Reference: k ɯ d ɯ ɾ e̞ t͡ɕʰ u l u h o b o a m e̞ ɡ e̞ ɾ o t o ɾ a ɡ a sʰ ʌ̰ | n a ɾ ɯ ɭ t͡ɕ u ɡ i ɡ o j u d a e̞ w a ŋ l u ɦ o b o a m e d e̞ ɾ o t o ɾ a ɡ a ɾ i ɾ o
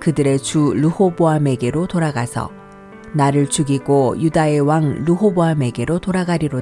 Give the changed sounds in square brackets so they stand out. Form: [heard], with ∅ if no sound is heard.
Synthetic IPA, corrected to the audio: k ɯ d ɯ ɾ e̞ [t͡ɕ] u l u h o b o a m e̞ ɡ e̞ ɾ o t o ɾ a ɡ a sʰ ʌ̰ | n a ɾ ɯ ɭ t͡ɕ u ɡ i ɡ o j u d a e̞ w a ŋ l u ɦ o b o a m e [ɡ] e̞ ɾ o t o ɾ a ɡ a ɾ i ɾ o